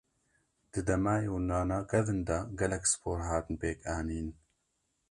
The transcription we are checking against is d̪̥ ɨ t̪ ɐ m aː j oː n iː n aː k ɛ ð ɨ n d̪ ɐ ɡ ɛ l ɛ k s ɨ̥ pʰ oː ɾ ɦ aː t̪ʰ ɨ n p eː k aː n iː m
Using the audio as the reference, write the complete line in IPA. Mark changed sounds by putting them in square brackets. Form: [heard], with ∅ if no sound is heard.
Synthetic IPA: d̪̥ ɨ [d̪] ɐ m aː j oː n [aː] n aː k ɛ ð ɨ n d̪ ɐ ɡ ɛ l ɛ k s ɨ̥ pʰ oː ɾ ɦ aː [t̪] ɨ n p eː k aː n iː [n]